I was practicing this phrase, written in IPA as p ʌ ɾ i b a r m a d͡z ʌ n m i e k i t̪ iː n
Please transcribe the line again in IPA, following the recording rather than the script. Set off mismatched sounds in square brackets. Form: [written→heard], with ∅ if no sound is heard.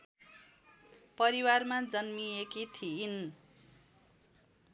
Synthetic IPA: p ʌ ɾ i [b→w] a r m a d͡z ʌ n m i e k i [t̪→t̪ʰ] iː n